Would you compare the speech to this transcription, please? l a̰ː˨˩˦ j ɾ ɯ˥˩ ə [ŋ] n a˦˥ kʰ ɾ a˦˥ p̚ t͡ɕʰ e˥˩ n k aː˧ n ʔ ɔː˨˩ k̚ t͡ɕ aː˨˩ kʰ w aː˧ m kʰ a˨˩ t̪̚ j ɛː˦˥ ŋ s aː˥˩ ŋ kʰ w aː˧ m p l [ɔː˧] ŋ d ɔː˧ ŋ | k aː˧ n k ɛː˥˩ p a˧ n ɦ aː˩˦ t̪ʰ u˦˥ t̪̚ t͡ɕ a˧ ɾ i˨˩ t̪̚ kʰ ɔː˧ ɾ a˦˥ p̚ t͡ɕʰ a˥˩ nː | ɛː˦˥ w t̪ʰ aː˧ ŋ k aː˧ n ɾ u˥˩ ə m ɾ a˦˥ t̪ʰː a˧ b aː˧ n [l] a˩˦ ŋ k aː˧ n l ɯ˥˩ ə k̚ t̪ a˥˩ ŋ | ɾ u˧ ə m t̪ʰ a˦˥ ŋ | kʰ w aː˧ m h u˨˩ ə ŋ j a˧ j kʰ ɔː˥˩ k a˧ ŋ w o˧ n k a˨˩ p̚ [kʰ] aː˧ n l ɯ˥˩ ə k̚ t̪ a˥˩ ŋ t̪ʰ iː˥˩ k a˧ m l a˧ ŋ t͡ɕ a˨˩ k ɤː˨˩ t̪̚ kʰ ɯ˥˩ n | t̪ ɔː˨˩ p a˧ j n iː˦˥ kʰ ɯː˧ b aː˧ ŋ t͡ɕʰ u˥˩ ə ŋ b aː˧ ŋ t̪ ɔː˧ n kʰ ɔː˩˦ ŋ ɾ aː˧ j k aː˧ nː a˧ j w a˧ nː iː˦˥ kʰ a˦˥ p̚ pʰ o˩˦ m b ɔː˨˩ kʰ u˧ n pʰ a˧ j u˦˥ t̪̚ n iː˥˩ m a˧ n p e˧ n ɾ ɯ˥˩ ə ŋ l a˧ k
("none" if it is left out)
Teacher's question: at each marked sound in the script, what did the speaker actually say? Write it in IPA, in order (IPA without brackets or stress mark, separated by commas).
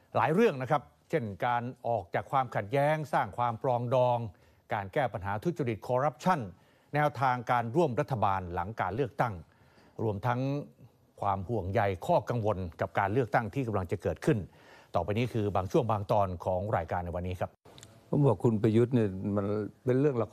ŋ, ɔː˧, l, k